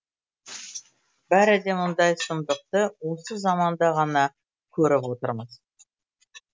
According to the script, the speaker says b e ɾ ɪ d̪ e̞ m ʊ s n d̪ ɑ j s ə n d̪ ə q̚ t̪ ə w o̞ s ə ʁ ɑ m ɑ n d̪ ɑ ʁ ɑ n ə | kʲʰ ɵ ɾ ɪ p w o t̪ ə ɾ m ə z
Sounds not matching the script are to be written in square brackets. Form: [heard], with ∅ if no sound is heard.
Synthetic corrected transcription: b [æ] ɾ ɪ d̪ e̞ m ʊ [∅] n d̪ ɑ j s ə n d̪ ə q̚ t̪ ə w o̞ s ə [z] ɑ m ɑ n d̪ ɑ ʁ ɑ n [ɑ] | kʲʰ ɵ ɾ ɪ p w o t̪ ə ɾ m ə z